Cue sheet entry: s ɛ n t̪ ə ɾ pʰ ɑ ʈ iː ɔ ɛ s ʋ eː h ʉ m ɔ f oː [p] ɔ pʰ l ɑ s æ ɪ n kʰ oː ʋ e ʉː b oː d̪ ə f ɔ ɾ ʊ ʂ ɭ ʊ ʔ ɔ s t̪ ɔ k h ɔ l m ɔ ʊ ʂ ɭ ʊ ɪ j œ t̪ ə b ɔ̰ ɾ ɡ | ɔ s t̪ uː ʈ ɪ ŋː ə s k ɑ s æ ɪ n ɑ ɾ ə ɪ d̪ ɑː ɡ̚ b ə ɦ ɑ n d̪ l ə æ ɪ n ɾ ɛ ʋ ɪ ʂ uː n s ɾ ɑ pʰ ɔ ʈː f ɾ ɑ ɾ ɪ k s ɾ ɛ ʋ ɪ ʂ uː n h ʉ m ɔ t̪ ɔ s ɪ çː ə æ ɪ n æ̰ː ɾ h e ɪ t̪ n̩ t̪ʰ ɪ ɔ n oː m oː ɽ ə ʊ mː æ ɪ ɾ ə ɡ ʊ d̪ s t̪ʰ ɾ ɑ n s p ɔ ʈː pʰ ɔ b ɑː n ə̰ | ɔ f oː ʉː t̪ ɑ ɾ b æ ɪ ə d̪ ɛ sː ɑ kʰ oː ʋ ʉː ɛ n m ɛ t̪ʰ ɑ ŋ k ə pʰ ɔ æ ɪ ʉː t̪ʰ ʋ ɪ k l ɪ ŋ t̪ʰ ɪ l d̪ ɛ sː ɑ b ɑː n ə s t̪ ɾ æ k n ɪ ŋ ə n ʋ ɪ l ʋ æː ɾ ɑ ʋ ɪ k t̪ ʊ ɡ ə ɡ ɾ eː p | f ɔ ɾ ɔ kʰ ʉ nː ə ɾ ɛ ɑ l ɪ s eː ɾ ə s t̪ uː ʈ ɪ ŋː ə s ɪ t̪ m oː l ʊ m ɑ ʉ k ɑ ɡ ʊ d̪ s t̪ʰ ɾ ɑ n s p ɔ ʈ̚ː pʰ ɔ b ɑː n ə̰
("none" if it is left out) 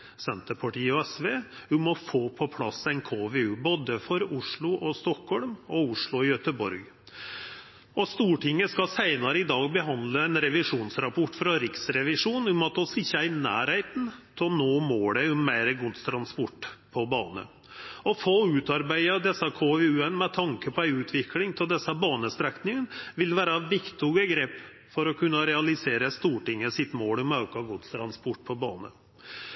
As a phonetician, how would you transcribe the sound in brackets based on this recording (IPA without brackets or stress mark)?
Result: pʰ